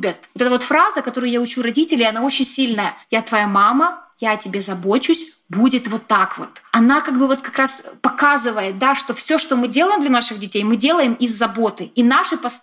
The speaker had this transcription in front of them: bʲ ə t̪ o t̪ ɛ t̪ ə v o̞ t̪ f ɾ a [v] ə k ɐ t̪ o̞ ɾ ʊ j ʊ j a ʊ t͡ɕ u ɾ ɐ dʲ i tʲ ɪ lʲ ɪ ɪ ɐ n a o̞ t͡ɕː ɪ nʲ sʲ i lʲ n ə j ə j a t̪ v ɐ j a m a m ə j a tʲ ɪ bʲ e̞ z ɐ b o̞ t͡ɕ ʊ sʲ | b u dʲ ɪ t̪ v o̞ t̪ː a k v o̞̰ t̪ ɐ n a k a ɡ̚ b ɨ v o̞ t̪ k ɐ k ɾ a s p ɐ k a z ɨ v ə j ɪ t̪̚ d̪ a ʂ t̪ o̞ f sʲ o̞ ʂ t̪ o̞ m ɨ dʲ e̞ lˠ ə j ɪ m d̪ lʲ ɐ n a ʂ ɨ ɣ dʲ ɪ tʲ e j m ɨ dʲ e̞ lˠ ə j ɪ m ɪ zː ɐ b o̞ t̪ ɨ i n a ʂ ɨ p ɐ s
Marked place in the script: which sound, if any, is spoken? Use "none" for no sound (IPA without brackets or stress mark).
z